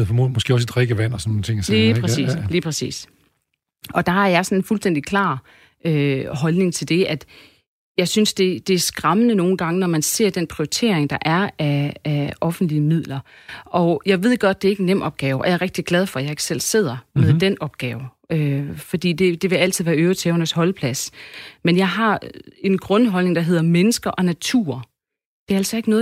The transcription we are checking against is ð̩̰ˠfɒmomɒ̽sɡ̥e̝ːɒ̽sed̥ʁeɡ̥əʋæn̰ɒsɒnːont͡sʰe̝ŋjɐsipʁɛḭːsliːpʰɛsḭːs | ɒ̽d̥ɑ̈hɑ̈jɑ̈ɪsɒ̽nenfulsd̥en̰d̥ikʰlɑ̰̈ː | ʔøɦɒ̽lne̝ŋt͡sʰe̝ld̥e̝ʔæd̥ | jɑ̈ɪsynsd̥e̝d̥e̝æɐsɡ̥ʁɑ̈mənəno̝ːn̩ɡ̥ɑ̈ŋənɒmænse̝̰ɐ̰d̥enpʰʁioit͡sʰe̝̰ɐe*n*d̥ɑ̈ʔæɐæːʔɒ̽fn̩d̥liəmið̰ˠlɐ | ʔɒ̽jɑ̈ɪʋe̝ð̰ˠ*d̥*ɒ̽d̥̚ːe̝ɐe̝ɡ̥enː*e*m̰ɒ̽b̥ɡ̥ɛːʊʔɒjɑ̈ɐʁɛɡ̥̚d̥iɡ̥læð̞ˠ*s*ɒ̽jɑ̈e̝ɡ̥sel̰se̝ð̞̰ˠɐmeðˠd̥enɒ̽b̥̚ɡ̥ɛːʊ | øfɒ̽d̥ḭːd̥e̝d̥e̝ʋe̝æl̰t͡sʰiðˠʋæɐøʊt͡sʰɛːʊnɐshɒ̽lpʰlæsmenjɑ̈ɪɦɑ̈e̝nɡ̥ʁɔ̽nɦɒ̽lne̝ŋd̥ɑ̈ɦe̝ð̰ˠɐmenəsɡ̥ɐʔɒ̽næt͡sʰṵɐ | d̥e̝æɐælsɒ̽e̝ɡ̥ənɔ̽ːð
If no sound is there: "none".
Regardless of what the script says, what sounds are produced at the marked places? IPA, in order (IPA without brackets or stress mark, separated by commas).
ŋ, ɡ̥, e, f